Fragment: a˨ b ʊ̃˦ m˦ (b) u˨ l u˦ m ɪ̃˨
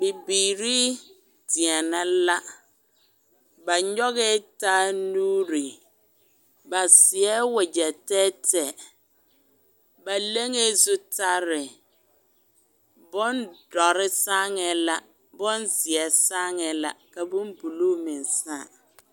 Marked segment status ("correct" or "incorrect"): correct